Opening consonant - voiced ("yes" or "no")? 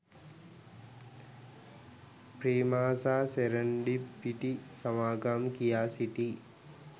no